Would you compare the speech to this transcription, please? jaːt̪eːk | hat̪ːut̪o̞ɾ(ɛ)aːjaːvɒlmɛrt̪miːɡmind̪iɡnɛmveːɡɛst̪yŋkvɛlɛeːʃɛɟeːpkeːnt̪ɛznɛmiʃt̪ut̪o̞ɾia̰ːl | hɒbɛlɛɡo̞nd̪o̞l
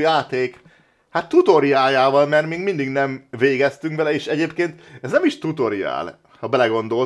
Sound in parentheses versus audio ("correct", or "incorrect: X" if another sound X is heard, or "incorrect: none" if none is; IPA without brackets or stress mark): incorrect: i